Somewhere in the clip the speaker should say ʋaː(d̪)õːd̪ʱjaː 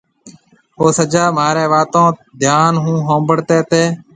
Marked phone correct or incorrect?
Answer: incorrect